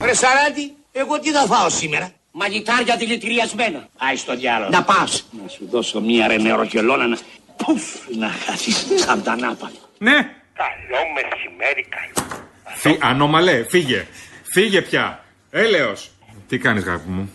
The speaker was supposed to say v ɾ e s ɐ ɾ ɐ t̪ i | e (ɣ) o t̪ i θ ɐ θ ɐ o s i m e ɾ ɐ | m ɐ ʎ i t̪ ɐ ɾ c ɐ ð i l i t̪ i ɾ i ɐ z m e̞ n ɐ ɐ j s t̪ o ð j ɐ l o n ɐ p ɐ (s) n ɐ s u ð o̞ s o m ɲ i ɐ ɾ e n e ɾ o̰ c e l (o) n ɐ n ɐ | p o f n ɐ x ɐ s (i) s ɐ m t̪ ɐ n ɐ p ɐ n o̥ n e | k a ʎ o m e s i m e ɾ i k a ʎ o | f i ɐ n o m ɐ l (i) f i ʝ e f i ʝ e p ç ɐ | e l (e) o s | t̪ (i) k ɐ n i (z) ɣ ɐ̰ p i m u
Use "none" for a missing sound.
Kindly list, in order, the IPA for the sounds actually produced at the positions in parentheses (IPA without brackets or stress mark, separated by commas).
ɣ, s, o, i, e, e, i, z